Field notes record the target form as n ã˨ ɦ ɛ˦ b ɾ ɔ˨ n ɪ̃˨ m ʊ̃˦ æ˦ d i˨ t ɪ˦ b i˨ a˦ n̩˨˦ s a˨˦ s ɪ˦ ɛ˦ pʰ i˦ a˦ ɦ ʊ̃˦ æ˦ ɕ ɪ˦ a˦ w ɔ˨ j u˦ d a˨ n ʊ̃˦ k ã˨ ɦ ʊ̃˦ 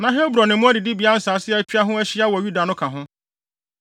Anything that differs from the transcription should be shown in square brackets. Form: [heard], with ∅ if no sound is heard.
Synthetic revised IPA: n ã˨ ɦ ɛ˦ b ɾ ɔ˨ n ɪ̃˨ m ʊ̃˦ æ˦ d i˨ [d] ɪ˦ b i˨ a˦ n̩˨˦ s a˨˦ s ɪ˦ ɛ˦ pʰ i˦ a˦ ɦ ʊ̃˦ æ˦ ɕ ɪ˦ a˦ w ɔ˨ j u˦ d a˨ n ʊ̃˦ [kʰ] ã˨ ɦ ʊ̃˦